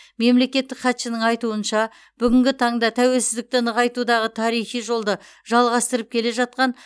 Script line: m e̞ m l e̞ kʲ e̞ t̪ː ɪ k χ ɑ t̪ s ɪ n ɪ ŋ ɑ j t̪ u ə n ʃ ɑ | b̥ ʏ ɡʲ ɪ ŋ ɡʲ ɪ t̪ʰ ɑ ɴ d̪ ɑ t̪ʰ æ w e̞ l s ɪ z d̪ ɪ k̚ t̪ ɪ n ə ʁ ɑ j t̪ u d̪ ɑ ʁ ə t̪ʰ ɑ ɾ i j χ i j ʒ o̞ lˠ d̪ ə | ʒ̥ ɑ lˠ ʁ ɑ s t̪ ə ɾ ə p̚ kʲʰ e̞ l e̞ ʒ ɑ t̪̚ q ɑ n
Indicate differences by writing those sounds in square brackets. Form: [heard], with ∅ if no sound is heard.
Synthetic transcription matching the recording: m e̞ m l e̞ kʲ e̞ t̪ː ɪ k χ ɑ t̪ [ʃ] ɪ n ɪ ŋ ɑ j t̪ u ə n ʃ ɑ | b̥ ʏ ɡʲ ɪ ŋ ɡʲ ɪ t̪ʰ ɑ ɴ d̪ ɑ t̪ʰ æ w e̞ l s ɪ z d̪ ɪ k̚ t̪ ɪ n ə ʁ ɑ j t̪ u d̪ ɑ ʁ ə t̪ʰ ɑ ɾ i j χ i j ʒ o̞ lˠ d̪ ə | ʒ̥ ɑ lˠ ʁ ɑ s t̪ ə ɾ ə p̚ kʲʰ e̞ l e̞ ʒ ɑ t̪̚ q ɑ n